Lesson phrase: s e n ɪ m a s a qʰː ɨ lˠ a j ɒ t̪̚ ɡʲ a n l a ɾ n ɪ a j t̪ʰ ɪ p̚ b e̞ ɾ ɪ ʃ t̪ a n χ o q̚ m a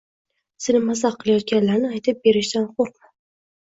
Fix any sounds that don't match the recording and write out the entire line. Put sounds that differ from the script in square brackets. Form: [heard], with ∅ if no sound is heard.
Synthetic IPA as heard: s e n ɪ m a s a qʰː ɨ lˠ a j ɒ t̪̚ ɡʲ a n l a ɾ n ɪ a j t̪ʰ ɪ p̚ b e̞ ɾ ɪ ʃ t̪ a n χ o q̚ m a